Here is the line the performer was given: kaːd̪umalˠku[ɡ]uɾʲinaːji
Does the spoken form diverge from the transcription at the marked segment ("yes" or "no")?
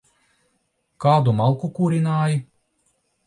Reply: yes